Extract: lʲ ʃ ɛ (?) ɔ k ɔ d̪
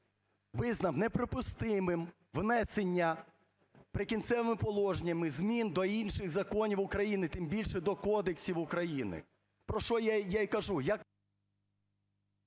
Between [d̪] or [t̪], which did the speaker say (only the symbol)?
d̪